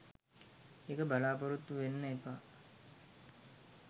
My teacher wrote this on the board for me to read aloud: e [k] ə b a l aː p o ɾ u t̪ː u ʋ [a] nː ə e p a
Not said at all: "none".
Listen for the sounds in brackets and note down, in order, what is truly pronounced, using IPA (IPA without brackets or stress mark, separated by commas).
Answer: k, e